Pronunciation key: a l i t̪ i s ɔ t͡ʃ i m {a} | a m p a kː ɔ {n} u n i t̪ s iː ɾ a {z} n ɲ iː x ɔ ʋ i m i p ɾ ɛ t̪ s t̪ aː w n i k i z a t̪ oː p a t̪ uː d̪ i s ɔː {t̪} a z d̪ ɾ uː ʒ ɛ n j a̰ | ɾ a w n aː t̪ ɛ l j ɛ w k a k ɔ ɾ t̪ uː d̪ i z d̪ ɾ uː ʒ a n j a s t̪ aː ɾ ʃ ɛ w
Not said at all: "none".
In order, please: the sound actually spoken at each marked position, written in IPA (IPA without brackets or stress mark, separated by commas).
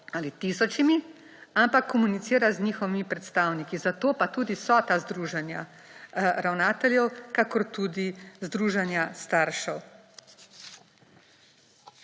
i, m, z, t̪